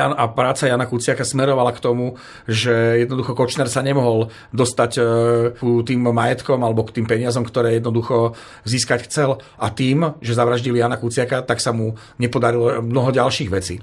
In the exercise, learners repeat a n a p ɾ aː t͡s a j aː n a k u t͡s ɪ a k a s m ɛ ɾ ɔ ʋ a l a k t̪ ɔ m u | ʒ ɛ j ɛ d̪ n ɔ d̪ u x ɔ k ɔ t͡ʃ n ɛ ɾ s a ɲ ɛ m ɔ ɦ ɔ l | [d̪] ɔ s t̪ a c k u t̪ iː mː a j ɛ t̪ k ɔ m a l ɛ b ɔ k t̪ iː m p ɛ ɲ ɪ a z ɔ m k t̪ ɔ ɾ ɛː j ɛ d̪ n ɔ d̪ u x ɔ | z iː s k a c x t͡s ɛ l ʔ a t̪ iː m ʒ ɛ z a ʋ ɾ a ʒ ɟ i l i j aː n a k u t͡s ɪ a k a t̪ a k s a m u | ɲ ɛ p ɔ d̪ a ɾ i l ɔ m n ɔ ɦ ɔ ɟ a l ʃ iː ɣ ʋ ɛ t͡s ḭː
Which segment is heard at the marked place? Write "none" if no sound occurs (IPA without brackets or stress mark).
d̪